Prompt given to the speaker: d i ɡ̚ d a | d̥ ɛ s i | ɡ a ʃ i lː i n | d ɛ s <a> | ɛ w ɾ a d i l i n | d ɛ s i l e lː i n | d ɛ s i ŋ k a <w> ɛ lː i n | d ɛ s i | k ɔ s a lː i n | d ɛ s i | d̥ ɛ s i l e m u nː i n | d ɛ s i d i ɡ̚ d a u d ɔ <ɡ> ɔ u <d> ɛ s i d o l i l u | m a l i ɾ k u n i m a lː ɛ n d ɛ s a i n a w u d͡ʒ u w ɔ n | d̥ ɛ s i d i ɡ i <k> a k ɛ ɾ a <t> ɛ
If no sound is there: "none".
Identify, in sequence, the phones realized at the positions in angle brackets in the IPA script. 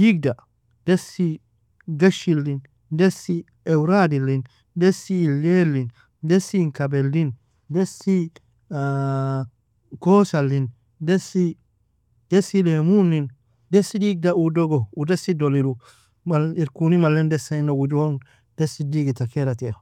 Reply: i, b, ɡ, d, t, t

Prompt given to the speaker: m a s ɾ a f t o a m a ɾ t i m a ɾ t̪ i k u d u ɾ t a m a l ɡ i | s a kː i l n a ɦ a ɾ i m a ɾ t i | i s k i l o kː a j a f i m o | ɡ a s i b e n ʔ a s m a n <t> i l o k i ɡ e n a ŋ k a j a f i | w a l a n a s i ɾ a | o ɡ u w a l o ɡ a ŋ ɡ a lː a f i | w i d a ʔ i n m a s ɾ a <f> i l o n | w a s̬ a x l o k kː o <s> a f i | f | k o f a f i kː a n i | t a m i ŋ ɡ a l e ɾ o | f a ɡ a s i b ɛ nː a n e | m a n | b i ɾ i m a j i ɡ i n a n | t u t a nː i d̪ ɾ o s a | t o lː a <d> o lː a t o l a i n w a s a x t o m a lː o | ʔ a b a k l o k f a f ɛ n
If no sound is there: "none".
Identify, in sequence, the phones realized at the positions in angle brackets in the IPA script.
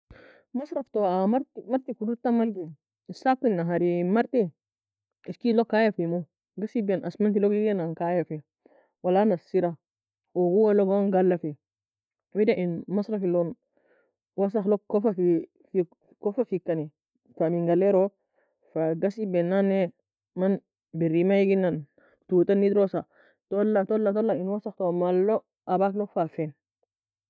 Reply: t, f, f, t

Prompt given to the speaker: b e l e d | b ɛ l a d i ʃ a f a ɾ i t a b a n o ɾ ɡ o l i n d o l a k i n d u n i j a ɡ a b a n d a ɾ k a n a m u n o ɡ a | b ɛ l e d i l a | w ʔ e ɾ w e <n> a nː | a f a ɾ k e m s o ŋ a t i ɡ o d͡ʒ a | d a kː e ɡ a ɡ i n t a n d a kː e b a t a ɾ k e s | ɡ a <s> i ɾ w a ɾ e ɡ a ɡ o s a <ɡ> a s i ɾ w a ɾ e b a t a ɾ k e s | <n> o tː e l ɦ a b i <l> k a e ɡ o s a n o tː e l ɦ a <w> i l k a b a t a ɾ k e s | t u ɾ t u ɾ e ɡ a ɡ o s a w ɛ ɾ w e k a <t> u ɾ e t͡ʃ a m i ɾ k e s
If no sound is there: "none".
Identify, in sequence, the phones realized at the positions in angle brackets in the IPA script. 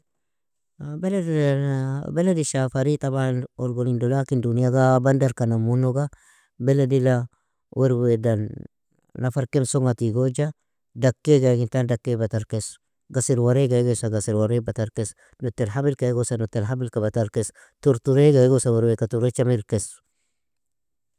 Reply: d, s, ɡ, n, l, b, t

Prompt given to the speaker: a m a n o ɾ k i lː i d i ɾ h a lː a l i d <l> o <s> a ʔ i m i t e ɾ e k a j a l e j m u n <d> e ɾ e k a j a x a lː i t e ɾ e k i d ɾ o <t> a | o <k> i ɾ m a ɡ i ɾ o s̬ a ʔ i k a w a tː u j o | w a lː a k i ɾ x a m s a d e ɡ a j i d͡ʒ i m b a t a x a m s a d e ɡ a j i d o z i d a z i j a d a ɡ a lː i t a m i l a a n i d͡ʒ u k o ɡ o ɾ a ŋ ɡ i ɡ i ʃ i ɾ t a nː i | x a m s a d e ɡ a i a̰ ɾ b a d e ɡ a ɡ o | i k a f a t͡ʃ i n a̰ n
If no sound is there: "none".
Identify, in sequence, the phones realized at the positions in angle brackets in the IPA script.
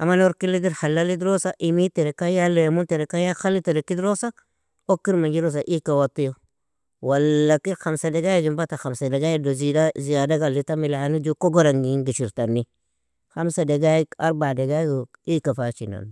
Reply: ɾ, s, t, s, k

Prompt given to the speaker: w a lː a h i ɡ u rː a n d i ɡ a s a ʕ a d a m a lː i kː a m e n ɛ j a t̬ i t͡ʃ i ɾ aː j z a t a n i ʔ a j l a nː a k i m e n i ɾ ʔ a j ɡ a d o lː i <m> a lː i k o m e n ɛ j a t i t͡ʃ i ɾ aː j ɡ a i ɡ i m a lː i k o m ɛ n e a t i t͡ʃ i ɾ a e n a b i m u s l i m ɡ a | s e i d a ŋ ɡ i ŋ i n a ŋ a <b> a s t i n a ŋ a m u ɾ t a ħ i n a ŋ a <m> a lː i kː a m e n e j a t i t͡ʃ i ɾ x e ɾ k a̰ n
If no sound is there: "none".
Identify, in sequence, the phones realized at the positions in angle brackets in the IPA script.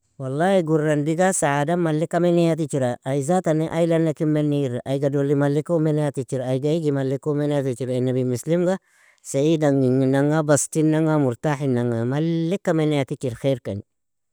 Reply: m, b, m

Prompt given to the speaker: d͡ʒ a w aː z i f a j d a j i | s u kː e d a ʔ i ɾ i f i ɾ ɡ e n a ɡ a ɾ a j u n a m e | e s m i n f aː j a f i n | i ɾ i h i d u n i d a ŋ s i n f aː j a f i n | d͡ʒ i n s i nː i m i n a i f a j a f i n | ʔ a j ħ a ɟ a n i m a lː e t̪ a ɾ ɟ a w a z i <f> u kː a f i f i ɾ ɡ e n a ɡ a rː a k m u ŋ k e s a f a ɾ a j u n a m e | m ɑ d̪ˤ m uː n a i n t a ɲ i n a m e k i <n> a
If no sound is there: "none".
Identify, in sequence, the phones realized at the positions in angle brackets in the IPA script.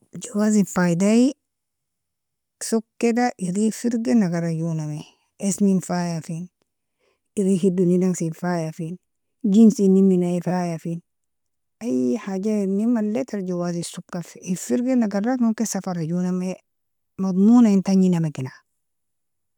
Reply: s, n

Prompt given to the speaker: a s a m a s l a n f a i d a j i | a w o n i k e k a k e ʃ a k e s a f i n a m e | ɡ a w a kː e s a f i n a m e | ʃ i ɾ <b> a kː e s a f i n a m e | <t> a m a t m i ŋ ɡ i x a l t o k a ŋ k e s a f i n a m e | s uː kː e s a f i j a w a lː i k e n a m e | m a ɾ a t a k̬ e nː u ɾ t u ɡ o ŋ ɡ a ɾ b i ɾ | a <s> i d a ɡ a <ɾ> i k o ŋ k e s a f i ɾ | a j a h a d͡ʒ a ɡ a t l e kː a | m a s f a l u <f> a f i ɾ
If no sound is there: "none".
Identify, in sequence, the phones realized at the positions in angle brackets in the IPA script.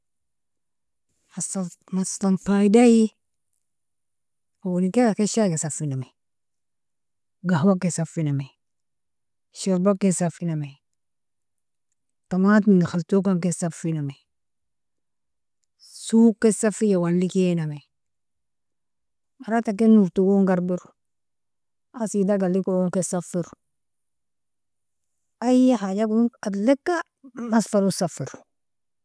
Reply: b, t, s, l, s

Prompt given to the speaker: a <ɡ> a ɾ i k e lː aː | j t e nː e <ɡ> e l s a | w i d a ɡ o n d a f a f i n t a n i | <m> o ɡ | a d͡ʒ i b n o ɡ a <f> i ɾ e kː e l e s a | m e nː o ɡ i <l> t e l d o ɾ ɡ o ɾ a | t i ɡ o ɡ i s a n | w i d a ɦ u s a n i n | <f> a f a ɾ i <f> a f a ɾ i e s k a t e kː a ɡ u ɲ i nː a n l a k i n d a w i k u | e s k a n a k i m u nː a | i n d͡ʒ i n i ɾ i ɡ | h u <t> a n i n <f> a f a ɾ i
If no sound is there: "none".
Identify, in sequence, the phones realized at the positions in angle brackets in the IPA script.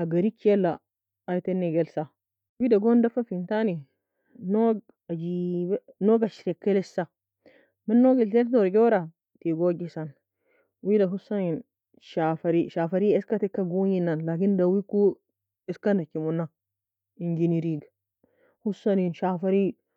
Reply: ɡ, ɡ, n, ʃ, l, ʃ, ʃ, s, ʃ

